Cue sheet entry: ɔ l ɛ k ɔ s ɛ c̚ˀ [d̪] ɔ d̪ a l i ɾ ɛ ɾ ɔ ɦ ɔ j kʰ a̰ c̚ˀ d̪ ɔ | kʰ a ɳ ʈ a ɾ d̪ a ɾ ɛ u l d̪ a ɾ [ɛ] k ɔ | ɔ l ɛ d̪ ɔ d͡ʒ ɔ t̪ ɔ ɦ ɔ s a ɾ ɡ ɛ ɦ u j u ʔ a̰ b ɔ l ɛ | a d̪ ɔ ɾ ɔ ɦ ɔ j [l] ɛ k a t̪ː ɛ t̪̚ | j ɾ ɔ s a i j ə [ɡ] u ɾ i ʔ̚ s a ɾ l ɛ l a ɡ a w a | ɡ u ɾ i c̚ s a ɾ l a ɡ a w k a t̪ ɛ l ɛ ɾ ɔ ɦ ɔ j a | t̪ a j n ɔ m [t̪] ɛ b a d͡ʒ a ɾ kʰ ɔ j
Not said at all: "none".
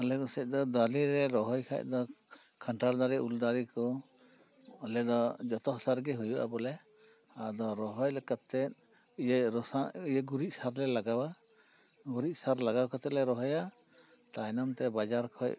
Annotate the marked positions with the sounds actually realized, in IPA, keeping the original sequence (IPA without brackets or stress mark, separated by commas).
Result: d̪, i, l, ɡ, t̪